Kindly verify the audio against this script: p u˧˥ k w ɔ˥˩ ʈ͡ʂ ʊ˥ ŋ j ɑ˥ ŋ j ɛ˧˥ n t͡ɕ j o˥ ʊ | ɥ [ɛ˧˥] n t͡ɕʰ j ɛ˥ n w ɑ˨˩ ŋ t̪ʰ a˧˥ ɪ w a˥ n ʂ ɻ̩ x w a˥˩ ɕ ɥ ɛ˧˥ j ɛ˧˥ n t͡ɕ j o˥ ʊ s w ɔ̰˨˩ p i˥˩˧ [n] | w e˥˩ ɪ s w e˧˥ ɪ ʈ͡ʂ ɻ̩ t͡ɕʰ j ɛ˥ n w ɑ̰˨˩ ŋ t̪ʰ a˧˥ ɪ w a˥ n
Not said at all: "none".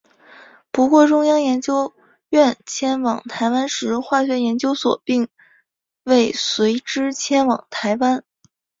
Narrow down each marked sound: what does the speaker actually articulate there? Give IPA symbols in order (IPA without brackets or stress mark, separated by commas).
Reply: ɛ˥˩, ŋ